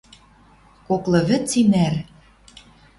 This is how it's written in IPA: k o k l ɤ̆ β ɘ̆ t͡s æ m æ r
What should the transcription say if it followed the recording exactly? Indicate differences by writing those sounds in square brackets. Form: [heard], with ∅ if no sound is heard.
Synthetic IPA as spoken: k o k l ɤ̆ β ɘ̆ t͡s [i] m æ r

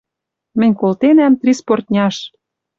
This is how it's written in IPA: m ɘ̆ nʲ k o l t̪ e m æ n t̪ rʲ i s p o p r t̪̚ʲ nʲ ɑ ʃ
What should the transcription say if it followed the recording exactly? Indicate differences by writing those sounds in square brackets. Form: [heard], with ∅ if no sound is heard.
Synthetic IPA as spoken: m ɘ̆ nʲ k o l t̪ e [n] æ [m] t̪ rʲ i s p o [∅] r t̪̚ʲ nʲ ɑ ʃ

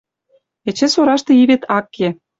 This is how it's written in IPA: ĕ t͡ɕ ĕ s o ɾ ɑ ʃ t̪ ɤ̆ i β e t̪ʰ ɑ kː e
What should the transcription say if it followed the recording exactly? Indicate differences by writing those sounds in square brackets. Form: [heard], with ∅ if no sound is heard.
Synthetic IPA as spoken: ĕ t͡ɕ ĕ s o ɾ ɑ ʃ t̪ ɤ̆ i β e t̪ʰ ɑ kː e

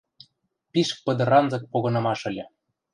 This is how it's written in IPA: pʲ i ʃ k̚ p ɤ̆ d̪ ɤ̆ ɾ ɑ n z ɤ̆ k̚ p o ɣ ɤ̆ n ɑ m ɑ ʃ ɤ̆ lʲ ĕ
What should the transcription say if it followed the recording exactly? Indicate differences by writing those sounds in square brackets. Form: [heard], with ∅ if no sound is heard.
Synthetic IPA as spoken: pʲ i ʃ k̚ p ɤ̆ d̪ ɤ̆ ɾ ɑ n z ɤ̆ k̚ p o ɣ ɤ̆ n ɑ m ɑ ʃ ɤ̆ lʲ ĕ

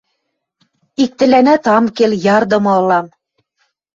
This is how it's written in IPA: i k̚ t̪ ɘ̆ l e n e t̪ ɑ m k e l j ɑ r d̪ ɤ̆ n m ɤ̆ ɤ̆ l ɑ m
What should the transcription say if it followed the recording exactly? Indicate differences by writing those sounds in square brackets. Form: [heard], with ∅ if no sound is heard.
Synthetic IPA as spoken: i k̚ t̪ ɘ̆ l [æ] n [æ] t̪ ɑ m k e l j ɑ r d̪ ɤ̆ [∅] m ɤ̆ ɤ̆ l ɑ m

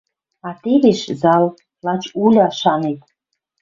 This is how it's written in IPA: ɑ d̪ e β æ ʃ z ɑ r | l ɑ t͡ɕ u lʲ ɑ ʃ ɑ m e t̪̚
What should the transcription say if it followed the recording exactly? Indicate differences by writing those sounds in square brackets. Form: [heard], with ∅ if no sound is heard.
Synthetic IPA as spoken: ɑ [t̪] e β [e] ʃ z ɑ [l] | l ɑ t͡ɕ u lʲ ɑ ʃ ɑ [n] e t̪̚

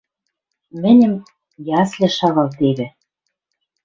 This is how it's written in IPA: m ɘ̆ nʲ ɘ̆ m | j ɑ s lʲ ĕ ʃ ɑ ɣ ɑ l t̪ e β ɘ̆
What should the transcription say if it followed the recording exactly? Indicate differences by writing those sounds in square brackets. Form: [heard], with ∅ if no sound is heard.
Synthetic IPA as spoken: m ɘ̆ nʲ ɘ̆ m | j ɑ s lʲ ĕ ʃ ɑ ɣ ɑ l t̪ e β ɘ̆

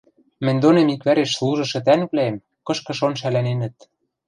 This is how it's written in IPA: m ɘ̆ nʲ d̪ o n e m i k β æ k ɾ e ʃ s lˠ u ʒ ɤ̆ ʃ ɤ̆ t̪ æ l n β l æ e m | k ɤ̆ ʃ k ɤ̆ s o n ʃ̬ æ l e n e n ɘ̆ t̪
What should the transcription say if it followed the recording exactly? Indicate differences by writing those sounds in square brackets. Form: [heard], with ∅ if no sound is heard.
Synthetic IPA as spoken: m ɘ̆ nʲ d̪ o n e m i k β æ [∅] ɾ e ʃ s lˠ u ʒ ɤ̆ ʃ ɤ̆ t̪ æ [∅] n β l æ e m | k ɤ̆ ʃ k ɤ̆ [ʃ] o n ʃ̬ æ l [æ] n e n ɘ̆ t̪

